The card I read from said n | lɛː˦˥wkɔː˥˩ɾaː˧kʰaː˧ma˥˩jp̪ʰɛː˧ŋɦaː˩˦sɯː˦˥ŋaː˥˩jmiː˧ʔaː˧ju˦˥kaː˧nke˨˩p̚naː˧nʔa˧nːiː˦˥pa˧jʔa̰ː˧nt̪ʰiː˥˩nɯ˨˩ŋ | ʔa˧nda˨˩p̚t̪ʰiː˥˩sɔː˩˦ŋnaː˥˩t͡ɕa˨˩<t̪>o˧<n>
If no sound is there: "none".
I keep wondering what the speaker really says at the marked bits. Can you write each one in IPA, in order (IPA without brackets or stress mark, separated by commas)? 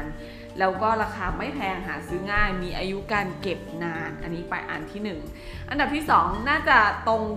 t̪, ŋ